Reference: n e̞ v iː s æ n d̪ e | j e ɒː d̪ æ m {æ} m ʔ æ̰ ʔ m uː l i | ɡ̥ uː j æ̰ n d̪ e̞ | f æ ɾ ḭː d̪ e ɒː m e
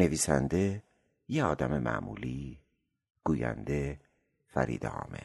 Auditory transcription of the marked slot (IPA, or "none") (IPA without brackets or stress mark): e